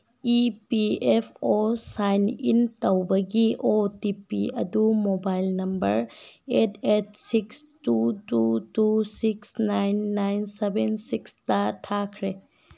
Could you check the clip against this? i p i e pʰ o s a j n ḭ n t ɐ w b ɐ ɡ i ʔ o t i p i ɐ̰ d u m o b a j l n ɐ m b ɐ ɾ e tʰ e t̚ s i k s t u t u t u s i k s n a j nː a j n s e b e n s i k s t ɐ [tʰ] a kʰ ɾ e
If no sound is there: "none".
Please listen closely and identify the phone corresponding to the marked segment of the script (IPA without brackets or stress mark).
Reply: tʰ